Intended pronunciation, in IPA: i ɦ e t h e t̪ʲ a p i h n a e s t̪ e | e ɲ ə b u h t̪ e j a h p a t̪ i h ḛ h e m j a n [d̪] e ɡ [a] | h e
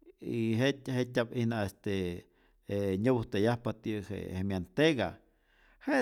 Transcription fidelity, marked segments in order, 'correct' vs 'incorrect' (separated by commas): incorrect, correct